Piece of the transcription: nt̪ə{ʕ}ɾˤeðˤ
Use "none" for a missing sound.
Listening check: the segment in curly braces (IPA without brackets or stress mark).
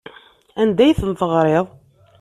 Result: ʁ